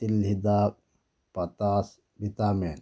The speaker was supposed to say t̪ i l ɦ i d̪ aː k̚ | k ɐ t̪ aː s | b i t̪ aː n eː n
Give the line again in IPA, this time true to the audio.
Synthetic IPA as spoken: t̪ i l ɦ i d̪ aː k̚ | p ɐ t̪ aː s | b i t̪ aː m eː n